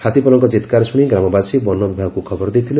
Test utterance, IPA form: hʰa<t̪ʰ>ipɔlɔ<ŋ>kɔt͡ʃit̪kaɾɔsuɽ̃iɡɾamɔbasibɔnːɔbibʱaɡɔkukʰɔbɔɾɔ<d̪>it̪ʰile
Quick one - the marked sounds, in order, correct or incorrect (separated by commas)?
incorrect, correct, correct